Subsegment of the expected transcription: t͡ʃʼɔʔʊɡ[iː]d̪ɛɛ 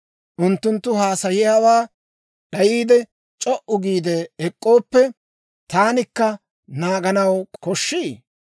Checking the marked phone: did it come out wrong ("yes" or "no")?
no